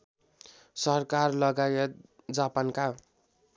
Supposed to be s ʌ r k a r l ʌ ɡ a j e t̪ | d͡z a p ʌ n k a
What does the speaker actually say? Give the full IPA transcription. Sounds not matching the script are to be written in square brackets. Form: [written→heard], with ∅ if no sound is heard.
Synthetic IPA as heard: s ʌ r k a r l ʌ ɡ a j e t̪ | d͡z a p [ʌ→a] n k a